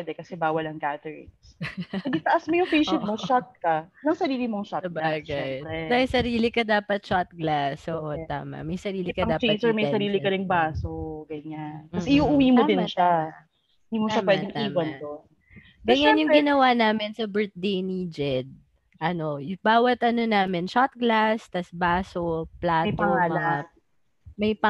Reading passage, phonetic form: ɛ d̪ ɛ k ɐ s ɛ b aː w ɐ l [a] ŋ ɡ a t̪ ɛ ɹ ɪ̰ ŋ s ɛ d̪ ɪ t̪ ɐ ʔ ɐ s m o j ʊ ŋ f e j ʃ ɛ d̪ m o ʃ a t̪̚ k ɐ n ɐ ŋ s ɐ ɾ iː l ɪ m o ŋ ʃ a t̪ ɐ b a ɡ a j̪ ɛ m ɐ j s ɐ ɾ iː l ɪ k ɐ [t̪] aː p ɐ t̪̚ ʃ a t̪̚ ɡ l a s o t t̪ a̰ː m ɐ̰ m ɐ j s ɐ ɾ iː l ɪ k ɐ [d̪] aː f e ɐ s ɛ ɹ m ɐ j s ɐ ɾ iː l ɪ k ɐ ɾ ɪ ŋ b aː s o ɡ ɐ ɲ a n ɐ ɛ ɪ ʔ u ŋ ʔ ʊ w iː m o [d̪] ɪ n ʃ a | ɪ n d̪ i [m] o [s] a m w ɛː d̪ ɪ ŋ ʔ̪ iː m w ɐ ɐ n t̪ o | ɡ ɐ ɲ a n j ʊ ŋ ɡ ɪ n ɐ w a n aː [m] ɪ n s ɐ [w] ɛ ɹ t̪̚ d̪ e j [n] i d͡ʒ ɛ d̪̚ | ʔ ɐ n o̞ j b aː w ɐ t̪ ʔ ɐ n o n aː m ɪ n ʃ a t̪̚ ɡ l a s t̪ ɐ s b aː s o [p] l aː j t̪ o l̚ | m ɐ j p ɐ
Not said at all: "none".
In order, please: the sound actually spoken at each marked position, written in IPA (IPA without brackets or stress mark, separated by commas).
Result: ɐ, d̪, d̪, d̪, m, ʃ, m, b, n, p